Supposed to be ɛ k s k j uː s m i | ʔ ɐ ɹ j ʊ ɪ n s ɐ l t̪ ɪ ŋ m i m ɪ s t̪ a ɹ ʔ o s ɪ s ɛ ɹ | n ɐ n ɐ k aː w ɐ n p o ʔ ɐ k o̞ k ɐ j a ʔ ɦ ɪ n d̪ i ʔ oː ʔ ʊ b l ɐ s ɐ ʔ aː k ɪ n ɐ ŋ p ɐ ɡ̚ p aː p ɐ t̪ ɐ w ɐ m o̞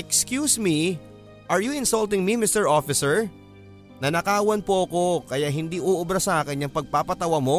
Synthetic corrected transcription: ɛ k s k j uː s m i | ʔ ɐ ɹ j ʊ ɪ n s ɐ l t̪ ɪ ŋ m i m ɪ s t̪ ɛ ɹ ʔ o f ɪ s ɛ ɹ | n ɐ n ɐ k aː w ɐ n p o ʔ ɐ k o̞ k ɐ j a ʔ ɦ ɪ n d̪ i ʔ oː ʔ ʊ b ɾ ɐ s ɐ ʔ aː k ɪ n ɐ ŋ p ɐ ɡ̚ p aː p ɐ t̪ ɐ w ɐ m o̞